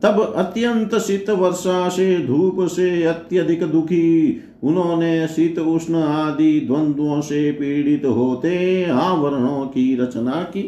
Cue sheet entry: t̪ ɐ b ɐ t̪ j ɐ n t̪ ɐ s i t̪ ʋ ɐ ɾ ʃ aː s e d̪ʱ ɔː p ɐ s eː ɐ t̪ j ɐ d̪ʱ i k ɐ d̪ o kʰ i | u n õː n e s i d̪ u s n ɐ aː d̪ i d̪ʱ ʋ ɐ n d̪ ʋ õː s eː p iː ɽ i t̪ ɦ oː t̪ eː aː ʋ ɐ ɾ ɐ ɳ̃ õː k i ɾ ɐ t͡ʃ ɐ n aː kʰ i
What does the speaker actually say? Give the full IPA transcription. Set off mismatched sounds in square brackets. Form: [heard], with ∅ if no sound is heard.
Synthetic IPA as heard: t̪ ɐ b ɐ t̪ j ɐ n t̪ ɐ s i t̪ ʋ ɐ ɾ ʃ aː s e d̪ʱ [uː] p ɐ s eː ɐ t̪ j ɐ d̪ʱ i k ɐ d̪ [u] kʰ i | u n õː n e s i [t̪] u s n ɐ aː d̪ i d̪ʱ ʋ ɐ n d̪ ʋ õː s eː p iː ɽ i t̪ ɦ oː t̪ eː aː ʋ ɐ ɾ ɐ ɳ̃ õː k i ɾ ɐ t͡ʃ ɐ n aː [k] i